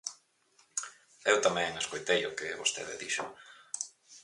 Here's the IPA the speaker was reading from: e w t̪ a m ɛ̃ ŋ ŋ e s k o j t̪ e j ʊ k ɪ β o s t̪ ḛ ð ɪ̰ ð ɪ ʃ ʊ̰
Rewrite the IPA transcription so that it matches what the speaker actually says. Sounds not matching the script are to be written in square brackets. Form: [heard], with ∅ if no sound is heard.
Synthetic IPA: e w t̪ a m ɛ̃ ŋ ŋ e s k o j t̪ e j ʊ k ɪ β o s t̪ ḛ ð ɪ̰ ð [i] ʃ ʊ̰

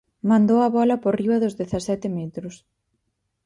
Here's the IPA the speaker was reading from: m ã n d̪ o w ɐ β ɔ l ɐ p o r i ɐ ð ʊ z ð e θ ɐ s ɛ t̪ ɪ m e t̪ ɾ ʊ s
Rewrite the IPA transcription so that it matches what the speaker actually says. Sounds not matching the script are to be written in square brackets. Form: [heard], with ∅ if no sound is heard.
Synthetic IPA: m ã n d̪ o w ɐ β ɔ l ɐ p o r i ɐ ð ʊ z ð e θ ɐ s ɛ t̪ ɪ m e t̪ ɾ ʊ s

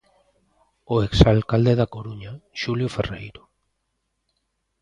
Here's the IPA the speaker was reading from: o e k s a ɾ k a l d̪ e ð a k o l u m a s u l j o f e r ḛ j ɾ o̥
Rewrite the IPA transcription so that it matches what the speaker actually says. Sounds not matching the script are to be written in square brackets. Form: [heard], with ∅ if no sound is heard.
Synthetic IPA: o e k s a [l] k a l d̪ e ð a k o [ɾ] u [ɲ] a [ʃ] u l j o f e r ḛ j ɾ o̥

